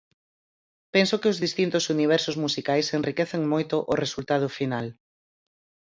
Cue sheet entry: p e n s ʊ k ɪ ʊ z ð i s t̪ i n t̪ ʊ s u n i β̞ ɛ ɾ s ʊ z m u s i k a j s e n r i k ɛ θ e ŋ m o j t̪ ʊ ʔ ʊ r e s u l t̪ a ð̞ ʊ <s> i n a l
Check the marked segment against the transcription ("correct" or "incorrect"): incorrect